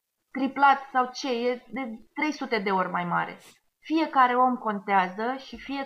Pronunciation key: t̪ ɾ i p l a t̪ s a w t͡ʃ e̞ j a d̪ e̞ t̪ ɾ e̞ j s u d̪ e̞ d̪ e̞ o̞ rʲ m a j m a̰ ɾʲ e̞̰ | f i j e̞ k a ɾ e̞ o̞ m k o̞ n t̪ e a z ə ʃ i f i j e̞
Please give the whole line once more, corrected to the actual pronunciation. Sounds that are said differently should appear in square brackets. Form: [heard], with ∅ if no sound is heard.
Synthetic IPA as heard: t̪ ɾ i p l a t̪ s a w t͡ʃ e̞ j [e] d̪ e̞ t̪ ɾ e̞ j s u [t̪] e̞ d̪ e̞ o̞ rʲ m a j m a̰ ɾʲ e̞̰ | f i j e̞ k a ɾ e̞ o̞ m k o̞ n t̪ e a z ə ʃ i f i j e̞